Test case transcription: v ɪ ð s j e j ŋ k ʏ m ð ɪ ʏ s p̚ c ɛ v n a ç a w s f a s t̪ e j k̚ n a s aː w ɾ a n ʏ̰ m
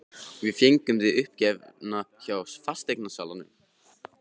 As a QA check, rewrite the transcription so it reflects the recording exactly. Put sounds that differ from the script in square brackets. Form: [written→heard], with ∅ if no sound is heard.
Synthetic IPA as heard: v ɪ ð [s→f] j e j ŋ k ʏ m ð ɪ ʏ [s→h] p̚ c ɛ v n a ç a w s f a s t̪ e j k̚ n a s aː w [ɾ→l] a n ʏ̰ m